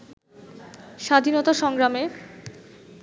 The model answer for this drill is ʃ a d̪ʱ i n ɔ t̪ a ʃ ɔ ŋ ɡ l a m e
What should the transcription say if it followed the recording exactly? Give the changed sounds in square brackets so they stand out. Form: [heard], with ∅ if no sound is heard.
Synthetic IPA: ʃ a d̪ʱ i n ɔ t̪ a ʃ ɔ ŋ ɡ [ɾ] a m e